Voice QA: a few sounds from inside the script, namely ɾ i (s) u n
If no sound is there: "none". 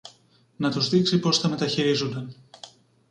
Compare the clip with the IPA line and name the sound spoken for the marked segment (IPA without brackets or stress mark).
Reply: z